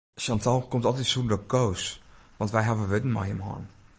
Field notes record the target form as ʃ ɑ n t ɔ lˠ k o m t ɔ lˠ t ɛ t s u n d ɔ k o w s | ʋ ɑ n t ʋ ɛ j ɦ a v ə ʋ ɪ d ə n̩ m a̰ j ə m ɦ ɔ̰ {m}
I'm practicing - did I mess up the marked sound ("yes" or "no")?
yes